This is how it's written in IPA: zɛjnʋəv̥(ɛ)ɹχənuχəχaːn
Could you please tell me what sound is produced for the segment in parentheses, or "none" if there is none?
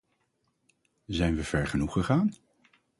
ɛ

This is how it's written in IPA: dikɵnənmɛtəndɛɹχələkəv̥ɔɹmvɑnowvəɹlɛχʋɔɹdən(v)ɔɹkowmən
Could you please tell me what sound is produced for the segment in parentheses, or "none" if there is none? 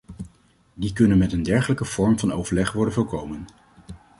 v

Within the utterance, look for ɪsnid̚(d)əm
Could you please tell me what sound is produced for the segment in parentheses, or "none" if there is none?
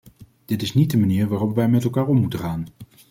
d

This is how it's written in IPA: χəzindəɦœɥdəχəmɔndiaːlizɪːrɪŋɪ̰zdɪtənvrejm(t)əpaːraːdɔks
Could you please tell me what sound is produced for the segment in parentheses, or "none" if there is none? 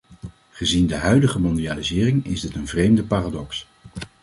d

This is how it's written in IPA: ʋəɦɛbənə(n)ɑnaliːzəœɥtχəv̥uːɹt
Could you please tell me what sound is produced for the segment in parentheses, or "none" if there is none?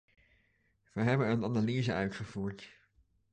n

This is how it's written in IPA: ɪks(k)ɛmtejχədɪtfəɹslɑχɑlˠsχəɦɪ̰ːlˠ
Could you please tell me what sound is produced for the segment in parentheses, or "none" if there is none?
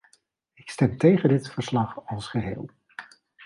t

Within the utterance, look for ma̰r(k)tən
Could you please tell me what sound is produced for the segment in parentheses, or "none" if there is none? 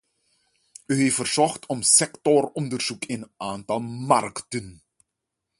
k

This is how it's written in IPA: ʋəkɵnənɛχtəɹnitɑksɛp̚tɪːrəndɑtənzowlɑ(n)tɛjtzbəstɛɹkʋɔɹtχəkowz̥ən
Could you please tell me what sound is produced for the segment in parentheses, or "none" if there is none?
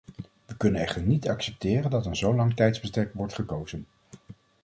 ŋ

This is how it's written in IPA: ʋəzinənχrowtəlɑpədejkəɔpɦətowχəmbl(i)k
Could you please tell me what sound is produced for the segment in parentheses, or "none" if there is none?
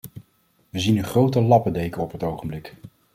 ɪ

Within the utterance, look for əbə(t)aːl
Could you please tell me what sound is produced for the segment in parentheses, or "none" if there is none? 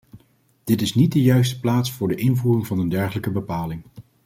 p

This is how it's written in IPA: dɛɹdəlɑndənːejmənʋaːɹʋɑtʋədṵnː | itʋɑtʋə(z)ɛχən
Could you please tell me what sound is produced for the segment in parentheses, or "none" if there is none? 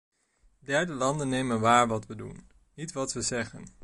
z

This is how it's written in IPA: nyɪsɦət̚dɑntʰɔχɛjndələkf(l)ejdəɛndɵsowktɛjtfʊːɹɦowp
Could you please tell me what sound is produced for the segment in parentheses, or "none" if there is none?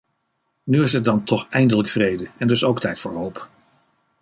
r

